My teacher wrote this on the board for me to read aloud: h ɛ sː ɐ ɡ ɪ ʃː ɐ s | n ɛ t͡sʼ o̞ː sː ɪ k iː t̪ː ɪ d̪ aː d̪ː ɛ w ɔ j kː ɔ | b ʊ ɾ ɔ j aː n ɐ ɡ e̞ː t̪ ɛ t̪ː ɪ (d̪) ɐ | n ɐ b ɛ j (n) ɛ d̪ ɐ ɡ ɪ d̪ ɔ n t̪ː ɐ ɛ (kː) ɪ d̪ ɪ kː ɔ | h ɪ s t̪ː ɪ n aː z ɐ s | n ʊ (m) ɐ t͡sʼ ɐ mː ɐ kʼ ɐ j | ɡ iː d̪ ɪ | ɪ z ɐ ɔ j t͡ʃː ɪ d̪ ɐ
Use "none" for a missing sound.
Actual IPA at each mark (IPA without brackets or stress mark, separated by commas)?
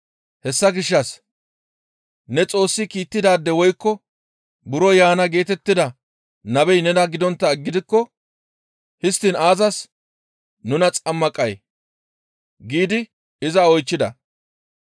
d̪, n, ɡː, n